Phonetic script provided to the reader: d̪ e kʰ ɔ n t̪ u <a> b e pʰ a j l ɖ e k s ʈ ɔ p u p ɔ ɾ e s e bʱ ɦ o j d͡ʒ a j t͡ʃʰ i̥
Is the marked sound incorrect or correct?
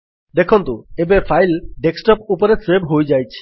incorrect